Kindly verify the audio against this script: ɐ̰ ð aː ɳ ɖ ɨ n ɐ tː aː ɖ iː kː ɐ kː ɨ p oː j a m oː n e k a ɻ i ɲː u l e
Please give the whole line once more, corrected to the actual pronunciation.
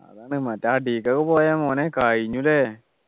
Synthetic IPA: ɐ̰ ð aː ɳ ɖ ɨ m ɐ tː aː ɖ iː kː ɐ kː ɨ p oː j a m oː n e k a ɻ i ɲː u l e